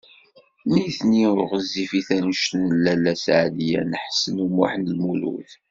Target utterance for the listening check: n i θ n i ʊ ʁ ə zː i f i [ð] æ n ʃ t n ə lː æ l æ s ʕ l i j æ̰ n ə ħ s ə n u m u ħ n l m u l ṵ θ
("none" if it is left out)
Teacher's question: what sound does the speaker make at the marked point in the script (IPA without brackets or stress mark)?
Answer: θ